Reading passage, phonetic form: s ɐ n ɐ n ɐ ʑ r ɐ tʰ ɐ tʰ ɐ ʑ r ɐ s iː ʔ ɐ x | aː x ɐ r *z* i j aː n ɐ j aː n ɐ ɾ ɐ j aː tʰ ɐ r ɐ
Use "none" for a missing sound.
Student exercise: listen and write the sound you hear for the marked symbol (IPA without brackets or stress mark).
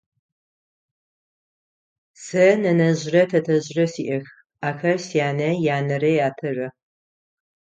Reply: s